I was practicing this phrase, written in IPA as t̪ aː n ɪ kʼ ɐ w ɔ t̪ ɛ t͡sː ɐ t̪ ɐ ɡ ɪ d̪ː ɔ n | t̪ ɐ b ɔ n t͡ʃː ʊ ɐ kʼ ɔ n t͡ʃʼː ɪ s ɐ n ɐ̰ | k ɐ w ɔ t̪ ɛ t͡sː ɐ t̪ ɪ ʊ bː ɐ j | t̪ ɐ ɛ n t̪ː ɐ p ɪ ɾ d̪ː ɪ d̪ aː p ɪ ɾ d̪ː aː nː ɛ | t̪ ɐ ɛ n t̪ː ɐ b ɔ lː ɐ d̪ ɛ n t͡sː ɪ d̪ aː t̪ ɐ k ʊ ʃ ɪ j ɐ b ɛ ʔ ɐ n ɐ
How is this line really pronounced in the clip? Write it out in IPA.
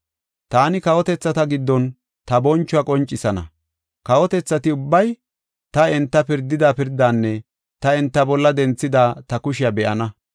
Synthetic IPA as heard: t̪ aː n ɪ k ɐ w ɔ t̪ ɛ t͡sː ɐ t̪ ɐ ɡ ɪ d̪ː ɔ n | t̪ ɐ b ɔ n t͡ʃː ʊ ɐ kʼ ɔ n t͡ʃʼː ɪ s ɐ n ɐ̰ | k ɐ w ɔ t̪ ɛ t͡sː ɐ t̪ ɪ ʊ bː ɐ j | t̪ ɐ ɛ n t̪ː ɐ p ɪ ɾ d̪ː ɪ d̪ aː p ɪ ɾ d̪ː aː nː ɛ | t̪ ɐ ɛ n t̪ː ɐ b ɔ lː ɐ d̪ ɛ n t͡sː ɪ d̪ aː t̪ ɐ k ʊ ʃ ɪ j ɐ b ɛ ʔ ɐ n ɐ

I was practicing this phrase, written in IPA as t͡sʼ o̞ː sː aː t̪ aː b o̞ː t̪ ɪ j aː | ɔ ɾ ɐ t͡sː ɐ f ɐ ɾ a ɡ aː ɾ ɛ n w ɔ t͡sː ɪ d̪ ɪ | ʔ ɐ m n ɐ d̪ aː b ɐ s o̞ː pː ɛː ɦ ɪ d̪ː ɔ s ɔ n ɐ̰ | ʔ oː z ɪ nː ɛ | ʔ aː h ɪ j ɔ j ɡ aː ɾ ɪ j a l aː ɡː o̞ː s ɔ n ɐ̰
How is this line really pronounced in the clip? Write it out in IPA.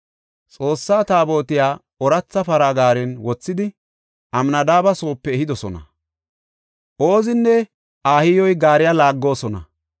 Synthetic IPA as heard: t͡sʼ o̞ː sː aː t̪ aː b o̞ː t̪ ɪ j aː | ɔ ɾ ɐ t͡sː ɐ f ɐ ɾ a ɡ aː ɾ ɛ n w ɔ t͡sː ɪ d̪ ɪ | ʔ ɐ m n ɐ d̪ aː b ɐ s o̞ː pː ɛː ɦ ɪ d̪ ɔ s ɔ n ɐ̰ | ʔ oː z ɪ nː ɛ | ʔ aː h ɪ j ɔ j ɡ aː ɾ ɪ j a l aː ɡː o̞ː s ɔ n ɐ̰

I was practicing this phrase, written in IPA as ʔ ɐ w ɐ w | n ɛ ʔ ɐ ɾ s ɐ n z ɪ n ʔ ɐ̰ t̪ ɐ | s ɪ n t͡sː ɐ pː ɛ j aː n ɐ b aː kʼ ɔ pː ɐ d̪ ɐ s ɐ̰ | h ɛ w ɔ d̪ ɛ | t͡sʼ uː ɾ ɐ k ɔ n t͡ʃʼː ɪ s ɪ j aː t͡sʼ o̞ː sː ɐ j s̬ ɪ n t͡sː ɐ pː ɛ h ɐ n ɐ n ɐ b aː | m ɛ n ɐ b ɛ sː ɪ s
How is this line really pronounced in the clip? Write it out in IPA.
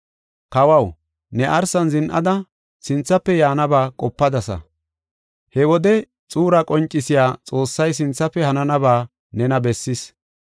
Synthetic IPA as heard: k ɐ w ɐ w | n ɛ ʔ ɐ ɾ s ɐ n z ɪ n ʔ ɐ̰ d̪ ɐ | s ɪ n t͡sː ɐ pː ɛ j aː n ɐ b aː kʼ ɔ pː ɐ d̪ ɐ s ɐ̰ | h ɛ w ɔ d̪ ɛ | t͡sʼ uː ɾ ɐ kʼ ɔ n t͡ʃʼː ɪ s ɪ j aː t͡sʼ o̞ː sː ɐ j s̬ ɪ n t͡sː ɐ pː ɛ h ɐ n ɐ n ɐ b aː | n ɛ n ɐ b ɛ sː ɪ s

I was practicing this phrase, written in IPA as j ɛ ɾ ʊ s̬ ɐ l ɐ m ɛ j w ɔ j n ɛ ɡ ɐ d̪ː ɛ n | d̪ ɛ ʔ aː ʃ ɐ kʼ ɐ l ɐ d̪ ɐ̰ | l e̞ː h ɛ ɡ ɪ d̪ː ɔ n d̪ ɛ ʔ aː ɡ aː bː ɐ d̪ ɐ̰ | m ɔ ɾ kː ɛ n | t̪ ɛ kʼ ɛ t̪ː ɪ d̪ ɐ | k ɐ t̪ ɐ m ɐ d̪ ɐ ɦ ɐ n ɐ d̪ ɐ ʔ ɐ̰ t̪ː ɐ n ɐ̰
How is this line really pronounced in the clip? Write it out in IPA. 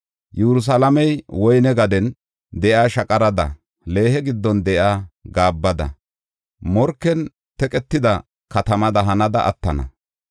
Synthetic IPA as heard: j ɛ ɾ ʊ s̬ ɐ l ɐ m ɛ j w ɔ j n ɛ ɡ ɐ d̪ ɛ n | d̪ ɛ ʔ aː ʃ ɐ kʼ ɐ ɾ ɐ d̪ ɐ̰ | l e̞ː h ɛ ɡ ɪ d̪ː ɔ n d̪ ɛ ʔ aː ɡ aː bː ɐ d̪ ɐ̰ | m ɔ ɾ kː ɛ n | t̪ ɛ kʼ ɛ t̪ː ɪ d̪ ɐ | k ɐ t̪ ɐ m ɐ d̪ ɐ ɦ ɐ n ɐ d̪ ɐ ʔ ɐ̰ t̪ː ɐ n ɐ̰

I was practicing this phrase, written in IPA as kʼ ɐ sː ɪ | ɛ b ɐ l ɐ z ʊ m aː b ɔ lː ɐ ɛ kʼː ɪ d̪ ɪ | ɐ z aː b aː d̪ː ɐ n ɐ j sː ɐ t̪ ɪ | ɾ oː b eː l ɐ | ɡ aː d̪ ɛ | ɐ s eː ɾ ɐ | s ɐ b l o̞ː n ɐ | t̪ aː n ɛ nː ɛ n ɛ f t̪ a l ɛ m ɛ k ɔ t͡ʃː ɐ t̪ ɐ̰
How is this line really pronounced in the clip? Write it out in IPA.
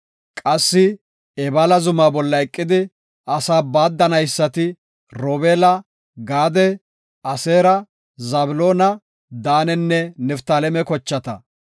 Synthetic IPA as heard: kʼ ɐ sː ɪ | ɛ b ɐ l ɐ z ʊ m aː b ɔ lː ɐ ɛ kʼː ɪ d̪ ɪ | ɐ s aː b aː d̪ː ɐ n ɐ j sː ɐ t̪ ɪ | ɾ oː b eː l ɐ | ɡ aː d̪ ɛ | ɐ s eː ɾ ɐ | z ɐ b l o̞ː n ɐ | d̪ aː n ɛ nː ɛ n ɛ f t̪ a l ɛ m ɛ k ɔ t͡ʃː ɐ t̪ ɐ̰

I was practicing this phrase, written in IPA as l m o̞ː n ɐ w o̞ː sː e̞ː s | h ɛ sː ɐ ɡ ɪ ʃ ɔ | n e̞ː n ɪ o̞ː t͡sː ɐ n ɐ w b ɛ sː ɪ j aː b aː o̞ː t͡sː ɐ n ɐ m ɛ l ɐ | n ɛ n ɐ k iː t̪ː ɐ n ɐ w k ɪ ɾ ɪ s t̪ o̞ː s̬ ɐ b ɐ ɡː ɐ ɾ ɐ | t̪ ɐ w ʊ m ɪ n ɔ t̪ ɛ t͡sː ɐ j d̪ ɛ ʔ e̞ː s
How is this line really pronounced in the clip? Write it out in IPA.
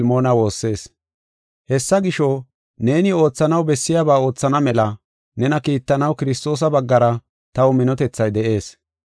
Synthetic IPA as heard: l m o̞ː n ɐ w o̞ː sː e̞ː s | h ɛ sː ɐ ɡ ɪ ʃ ɔ | n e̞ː n ɪ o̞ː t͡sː ɐ n ɐ w b ɛ sː ɪ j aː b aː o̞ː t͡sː ɐ n ɐ m ɛ l ɐ | n ɛ n ɐ k iː t̪ː ɐ n ɐ w k ɪ ɾ ɪ s t̪ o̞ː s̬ ɐ b ɐ ɡː ɐ ɾ ɐ | t̪ ɐ w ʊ m ɪ n ɔ t̪ ɛ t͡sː ɐ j d̪ ɛ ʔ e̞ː s

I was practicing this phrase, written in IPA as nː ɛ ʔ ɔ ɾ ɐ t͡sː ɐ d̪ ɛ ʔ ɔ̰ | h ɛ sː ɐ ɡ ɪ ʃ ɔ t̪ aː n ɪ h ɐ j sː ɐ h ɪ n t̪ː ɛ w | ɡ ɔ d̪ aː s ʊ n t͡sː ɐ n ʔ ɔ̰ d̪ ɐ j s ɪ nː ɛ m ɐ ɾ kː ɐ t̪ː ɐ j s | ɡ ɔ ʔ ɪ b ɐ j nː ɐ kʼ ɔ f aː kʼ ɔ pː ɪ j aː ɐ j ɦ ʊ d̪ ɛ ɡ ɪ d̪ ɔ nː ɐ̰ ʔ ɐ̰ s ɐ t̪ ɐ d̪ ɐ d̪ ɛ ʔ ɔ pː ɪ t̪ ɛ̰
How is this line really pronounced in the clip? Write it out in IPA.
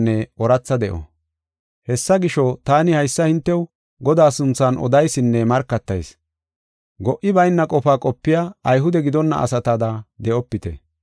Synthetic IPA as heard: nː ɛ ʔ ɔ ɾ ɐ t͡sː ɐ d̪ ɛ ʔ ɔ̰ | h ɛ sː ɐ ɡ ɪ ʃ ɔ t̪ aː n ɪ h ɐ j sː ɐ h ɪ n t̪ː ɛ w | ɡ ɔ d̪ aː s ʊ n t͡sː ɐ n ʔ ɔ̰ d̪ ɐ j s ɪ nː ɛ m ɐ ɾ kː ɐ t̪ː ɐ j s | ɡ ɔ ʔ ɪ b ɐ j nː ɐ kʼ ɔ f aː kʼ ɔ pː ɪ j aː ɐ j ɦ ʊ d̪ ɛ ɡ ɪ d̪ ɔ nː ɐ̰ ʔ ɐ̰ s ɐ t̪ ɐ d̪ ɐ d̪ ɛ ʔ ɔ pː ɪ t̪ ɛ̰

